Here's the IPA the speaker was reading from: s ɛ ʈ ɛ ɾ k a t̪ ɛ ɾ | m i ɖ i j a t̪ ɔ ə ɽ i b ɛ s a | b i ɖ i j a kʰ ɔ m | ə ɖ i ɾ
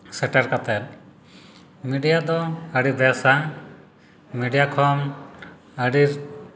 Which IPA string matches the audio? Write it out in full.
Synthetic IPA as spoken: s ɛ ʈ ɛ ɾ k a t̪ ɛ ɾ | m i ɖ i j a d̪ ɔ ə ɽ i b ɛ s a | m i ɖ i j a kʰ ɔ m | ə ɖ i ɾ